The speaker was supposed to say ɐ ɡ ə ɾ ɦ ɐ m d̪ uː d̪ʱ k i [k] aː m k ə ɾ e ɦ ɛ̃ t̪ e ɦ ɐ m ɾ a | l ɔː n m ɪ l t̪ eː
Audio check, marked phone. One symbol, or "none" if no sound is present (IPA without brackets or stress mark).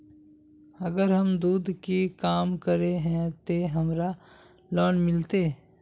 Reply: k